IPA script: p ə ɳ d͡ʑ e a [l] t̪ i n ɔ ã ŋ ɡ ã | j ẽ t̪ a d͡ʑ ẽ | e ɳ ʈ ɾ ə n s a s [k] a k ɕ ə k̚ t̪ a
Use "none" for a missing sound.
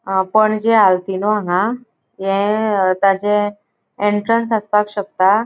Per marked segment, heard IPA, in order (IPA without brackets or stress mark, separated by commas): l, p